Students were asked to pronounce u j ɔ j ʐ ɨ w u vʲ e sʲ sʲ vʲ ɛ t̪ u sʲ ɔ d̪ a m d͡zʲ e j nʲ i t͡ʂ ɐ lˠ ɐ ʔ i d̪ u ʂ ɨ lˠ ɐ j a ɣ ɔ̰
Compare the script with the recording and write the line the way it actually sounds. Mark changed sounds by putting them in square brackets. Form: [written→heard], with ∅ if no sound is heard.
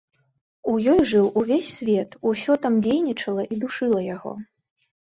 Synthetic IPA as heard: u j ɔ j ʐ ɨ w u vʲ e sʲ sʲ vʲ ɛ t̪ u sʲ ɔ [d̪→t̪] a m d͡zʲ e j nʲ i t͡ʂ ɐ lˠ ɐ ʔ i d̪ u ʂ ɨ lˠ ɐ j a ɣ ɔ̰